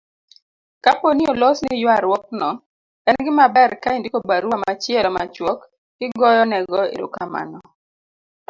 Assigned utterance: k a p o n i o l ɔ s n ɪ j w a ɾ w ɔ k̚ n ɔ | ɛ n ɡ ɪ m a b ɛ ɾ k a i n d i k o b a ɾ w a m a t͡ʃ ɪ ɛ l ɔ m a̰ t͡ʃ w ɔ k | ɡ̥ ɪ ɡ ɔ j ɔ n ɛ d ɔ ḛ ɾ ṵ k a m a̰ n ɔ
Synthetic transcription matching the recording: k a p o n i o l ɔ s n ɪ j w a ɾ w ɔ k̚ n ɔ | ɛ n ɡ ɪ m a b ɛ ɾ k a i n d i k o b a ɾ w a m a t͡ʃ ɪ ɛ l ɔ m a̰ t͡ʃ w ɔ k | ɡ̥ ɪ ɡ ɔ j ɔ n ɛ ɡ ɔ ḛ ɾ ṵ k a m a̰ n ɔ